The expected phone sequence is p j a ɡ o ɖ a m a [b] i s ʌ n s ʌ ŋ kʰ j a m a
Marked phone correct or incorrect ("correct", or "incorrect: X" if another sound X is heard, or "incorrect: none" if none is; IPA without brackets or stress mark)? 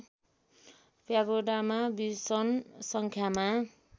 correct